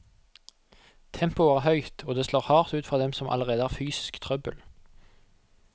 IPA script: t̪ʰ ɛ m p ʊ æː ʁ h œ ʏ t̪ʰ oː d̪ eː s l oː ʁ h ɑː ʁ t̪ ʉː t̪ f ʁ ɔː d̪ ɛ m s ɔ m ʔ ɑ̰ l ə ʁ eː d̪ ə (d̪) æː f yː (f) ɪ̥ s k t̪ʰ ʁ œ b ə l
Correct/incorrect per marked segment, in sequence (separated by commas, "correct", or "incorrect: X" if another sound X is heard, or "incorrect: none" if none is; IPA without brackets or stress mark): incorrect: none, incorrect: s